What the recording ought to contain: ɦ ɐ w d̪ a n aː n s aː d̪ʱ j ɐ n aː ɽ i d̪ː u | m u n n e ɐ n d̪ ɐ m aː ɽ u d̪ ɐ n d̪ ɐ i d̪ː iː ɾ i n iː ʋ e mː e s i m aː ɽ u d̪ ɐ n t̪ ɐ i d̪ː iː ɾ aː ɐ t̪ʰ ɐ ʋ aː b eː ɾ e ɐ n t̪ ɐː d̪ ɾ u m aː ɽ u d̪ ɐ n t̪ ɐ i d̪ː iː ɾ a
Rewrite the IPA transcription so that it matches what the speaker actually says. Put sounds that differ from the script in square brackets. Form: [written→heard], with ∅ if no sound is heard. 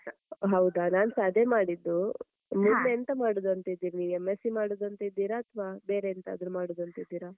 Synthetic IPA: ɦ ɐ w d̪ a n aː n s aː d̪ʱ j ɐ [n→m] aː ɽ i d̪ː u | m u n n e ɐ n [d̪→t̪] ɐ m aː ɽ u d̪ ɐ n [d̪→t̪] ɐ i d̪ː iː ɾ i n iː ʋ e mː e s i m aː ɽ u d̪ ɐ n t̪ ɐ i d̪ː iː ɾ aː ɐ t̪ʰ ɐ ʋ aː b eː ɾ e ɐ n t̪ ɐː d̪ ɾ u m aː ɽ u d̪ ɐ n t̪ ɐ i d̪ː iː ɾ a

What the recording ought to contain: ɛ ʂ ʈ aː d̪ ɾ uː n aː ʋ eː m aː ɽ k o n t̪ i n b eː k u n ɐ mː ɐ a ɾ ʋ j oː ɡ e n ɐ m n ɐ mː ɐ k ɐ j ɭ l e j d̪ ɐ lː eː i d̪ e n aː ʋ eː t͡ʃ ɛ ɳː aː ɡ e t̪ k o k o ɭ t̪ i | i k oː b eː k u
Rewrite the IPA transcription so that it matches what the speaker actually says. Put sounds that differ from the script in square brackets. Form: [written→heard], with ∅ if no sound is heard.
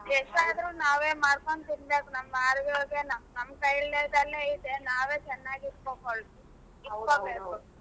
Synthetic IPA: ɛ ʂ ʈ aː d̪ ɾ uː n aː ʋ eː m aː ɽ k o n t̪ i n b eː k u n ɐ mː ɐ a ɾ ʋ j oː ɡ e n ɐ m n ɐ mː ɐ k ɐ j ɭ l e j d̪ ɐ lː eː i d̪ e n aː ʋ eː t͡ʃ ɛ [ɳː→nː] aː ɡ [e→i] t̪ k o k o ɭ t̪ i | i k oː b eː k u

